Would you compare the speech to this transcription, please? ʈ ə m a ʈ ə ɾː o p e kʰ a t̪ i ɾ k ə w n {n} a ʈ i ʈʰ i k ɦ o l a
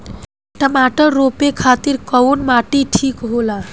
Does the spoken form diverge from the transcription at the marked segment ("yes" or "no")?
yes